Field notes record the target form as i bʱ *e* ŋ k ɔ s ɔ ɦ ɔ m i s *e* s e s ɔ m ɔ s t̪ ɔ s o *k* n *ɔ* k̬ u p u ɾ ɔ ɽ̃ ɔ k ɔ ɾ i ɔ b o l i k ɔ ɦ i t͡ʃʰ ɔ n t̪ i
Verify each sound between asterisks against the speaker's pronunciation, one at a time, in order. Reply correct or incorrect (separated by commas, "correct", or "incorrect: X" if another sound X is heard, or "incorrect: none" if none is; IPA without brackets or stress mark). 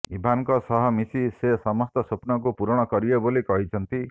incorrect: a, incorrect: i, incorrect: p, correct